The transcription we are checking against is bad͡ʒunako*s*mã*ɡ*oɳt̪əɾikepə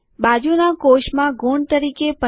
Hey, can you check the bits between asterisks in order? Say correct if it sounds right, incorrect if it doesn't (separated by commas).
incorrect, correct